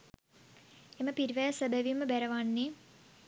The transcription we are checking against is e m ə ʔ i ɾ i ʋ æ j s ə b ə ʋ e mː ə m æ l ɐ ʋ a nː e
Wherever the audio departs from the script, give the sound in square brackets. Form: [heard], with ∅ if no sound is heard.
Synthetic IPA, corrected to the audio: e m ə [p] i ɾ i ʋ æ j s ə b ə ʋ [i] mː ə [b] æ [ɾ] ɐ ʋ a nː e